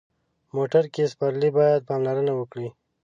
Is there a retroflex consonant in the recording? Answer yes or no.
yes